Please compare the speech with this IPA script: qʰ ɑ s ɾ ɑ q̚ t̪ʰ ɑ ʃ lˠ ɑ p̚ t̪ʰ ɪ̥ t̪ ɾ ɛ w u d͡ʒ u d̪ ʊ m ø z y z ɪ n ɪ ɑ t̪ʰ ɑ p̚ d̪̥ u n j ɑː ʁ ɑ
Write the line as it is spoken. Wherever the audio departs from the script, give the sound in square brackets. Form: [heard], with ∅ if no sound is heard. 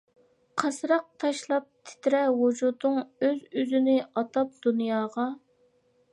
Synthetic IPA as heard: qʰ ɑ s ɾ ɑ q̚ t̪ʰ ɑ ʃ lˠ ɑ p̚ t̪ʰ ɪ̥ t̪ ɾ ɛ w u d͡ʒ u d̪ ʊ [ŋ] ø z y z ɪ n ɪ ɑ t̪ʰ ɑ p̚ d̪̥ u n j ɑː ʁ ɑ